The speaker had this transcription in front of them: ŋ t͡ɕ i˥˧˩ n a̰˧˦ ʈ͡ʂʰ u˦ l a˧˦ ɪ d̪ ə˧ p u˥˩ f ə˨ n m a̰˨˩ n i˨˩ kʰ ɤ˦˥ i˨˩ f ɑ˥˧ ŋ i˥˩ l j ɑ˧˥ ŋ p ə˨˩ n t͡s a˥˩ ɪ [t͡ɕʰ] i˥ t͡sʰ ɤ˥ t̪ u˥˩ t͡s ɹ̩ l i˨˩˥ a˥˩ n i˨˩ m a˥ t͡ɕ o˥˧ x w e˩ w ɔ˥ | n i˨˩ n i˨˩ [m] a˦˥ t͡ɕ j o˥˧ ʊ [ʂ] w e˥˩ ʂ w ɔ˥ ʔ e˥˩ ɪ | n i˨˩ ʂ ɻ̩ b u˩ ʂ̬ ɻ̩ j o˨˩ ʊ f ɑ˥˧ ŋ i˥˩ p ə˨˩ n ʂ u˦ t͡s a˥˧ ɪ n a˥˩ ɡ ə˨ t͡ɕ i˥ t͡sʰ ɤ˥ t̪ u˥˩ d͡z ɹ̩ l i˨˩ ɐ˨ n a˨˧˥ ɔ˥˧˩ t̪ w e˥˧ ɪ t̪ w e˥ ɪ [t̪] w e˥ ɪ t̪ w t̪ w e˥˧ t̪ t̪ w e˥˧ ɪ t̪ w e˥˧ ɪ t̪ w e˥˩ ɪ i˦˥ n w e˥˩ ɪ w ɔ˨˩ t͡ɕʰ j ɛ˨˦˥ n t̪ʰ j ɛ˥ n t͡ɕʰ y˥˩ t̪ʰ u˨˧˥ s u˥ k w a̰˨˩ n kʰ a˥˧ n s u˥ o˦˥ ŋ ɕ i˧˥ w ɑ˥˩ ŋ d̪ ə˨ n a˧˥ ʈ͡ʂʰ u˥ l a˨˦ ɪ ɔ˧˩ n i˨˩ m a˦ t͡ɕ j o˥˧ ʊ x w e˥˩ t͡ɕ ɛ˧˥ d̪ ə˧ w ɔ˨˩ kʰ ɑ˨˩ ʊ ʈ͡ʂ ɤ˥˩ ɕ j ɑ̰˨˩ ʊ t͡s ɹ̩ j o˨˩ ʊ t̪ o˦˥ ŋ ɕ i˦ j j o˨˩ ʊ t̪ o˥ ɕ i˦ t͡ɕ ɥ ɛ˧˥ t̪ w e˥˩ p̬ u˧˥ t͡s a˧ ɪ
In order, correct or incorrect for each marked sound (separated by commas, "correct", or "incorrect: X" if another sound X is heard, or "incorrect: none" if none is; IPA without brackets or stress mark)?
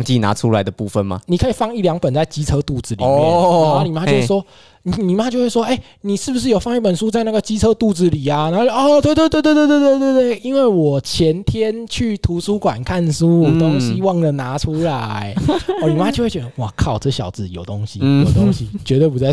incorrect: t͡ɕ, correct, incorrect: x, correct